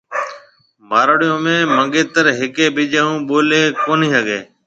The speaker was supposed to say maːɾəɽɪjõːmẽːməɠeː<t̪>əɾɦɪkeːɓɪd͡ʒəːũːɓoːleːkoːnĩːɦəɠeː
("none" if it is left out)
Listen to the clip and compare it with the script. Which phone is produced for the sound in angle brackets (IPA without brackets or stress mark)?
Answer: t̪